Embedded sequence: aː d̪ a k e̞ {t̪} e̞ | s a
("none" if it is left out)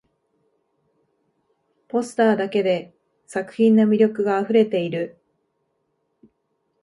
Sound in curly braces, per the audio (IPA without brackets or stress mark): d̪